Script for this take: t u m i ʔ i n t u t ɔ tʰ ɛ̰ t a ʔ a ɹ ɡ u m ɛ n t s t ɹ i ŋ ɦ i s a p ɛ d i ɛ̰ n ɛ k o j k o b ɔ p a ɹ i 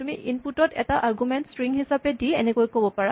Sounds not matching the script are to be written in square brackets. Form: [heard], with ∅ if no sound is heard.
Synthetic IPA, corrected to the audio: t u m i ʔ i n [p] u t ɔ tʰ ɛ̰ t a ʔ a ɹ ɡ u m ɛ n t s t ɹ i ŋ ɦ i s a p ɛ d i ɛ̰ n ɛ k o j k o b ɔ p a ɹ [a]

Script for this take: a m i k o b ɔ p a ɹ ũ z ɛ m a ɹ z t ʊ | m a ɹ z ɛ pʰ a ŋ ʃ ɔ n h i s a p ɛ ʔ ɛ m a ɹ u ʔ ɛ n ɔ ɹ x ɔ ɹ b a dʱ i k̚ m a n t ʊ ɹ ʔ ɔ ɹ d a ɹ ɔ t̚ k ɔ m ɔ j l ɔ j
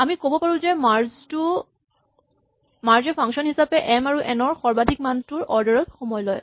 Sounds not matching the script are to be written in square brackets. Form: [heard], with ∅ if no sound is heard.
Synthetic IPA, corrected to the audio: a m i k o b ɔ p a ɹ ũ z ɛ m a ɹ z t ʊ | m a ɹ z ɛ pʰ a ŋ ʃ ɔ n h i s a p ɛ ʔ ɛ m a ɹ u ʔ ɛ n ɔ ɹ x ɔ ɹ b a dʱ i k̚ m a n t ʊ ɹ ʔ ɔ ɹ d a ɹ ɔ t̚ [x] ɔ m ɔ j l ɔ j

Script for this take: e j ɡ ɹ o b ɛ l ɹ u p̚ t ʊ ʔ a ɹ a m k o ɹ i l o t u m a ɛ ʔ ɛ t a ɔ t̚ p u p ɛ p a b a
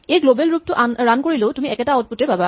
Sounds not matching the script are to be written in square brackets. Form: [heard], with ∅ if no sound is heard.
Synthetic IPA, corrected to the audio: e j ɡ [l] o b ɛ l ɹ u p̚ t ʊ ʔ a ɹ a [n] k o ɹ i l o t u m [i] ɛ [k] ɛ t a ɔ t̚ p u [t] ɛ p a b a

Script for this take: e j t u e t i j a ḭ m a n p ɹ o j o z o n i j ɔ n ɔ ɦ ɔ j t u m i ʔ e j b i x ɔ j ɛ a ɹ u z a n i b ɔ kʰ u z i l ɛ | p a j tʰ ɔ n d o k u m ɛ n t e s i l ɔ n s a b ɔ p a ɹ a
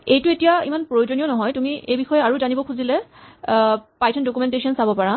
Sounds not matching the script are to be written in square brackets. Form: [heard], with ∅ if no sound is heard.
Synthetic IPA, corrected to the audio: e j t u e t i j a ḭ m a n p ɹ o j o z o n i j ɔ n ɔ ɦ ɔ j t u m i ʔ e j b i x ɔ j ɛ a ɹ u z a n i b ɔ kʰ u z i l ɛ | p a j tʰ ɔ n d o k u m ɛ n t e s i [∅] ɔ n s a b ɔ p a ɹ a

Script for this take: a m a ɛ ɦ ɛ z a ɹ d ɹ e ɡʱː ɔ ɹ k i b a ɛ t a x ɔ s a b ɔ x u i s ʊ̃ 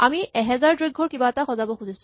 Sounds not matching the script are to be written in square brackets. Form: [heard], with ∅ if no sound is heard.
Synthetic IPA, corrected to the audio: a m [i] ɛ ɦ ɛ z a ɹ d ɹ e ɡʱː ɔ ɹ k i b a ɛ t a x ɔ [z] a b ɔ x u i s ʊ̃

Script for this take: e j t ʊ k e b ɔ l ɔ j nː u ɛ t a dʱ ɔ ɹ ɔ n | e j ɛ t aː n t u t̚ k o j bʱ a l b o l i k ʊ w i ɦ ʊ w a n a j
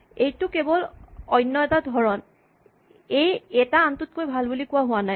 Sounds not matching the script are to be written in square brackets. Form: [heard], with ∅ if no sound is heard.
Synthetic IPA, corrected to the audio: e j t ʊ k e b ɔ l ɔ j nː [ɔ] ɛ t a dʱ ɔ ɹ ɔ n | e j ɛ t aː n t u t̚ k o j bʱ a l b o l i k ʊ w [a] ɦ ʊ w a n a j

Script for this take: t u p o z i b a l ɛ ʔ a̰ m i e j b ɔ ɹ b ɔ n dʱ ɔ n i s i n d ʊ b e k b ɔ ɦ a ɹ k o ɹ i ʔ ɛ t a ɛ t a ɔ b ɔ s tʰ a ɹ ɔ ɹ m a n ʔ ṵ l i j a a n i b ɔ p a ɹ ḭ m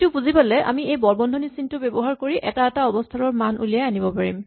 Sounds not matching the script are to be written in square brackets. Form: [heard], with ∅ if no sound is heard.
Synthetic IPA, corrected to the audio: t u p [u] z i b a l ɛ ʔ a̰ m i e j b ɔ ɹ b ɔ n dʱ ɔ n i s i n [t] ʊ b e [∅] b ɔ ɦ a ɹ k o ɹ i ʔ ɛ t a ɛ t a ɔ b ɔ s tʰ a ɹ ɔ ɹ m a n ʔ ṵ l i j a a n i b ɔ p a ɹ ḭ m

